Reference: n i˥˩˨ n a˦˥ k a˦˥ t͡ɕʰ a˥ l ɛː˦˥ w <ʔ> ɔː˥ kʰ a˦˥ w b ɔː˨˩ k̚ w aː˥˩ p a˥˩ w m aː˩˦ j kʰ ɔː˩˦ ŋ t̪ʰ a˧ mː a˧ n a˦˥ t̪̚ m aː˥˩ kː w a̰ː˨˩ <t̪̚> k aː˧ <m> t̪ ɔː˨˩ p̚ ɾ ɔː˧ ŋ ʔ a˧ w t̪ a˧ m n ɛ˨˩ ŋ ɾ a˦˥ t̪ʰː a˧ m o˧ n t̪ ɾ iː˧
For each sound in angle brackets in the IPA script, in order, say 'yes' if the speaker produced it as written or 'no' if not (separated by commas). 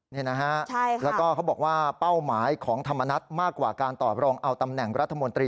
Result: no, no, no